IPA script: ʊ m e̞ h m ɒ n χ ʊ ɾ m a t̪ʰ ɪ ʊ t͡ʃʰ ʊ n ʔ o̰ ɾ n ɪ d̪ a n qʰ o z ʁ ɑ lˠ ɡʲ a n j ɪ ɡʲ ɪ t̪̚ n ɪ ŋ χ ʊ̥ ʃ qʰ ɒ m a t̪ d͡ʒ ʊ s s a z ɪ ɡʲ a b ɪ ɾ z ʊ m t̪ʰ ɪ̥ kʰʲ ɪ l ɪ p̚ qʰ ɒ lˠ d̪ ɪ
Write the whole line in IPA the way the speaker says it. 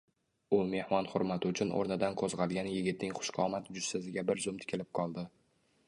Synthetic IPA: ʊ m e̞ h m ɒ n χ ʊ ɾ m a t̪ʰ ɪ ʊ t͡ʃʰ ʊ n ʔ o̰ ɾ n ɪ d̪ a n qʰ o z ʁ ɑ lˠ ɡʲ a n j ɪ ɡʲ ɪ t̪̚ n ɪ ŋ χ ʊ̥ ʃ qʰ ɒ m a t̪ d͡ʒ ʊ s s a z ɪ ɡʲ a b ɪ ɾ z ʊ m t̪ʰ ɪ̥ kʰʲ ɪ l ɪ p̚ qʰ ɒ lˠ d̪ ɪ